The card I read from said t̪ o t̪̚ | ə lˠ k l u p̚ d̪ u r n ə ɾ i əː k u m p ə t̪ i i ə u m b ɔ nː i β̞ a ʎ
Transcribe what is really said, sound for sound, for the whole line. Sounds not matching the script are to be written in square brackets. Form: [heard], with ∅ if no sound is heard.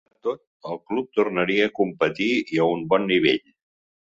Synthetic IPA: t̪ o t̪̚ | ə lˠ k l u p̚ [t̪] u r n ə ɾ i əː k u m p ə t̪ i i ə u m b ɔ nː i β̞ [e] ʎ